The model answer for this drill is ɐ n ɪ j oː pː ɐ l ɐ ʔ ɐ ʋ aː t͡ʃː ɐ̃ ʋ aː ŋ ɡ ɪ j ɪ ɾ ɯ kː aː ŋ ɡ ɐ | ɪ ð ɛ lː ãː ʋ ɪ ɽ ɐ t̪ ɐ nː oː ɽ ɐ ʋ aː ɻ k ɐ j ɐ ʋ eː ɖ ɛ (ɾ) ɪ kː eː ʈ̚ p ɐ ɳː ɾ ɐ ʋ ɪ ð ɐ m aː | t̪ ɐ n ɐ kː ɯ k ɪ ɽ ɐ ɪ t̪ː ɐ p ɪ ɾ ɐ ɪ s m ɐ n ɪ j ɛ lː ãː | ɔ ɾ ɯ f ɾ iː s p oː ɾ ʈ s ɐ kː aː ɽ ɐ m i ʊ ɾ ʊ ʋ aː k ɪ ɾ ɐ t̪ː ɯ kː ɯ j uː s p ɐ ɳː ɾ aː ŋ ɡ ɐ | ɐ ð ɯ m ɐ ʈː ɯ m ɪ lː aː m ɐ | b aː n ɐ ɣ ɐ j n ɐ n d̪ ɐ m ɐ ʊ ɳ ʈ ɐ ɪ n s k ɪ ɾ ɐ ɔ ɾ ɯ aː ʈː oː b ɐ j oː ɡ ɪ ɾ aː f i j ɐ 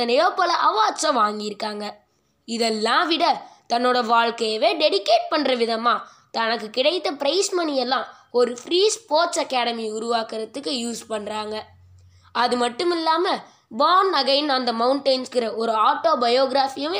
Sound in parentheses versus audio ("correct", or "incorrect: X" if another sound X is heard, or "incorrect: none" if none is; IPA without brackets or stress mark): incorrect: ɽ